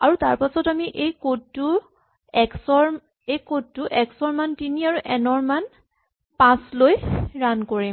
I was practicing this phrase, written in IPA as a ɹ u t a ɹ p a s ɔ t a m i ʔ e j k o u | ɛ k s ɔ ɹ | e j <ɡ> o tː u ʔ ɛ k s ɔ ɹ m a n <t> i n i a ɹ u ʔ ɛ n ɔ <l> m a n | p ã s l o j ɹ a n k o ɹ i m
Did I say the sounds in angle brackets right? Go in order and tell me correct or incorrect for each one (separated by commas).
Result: incorrect, correct, incorrect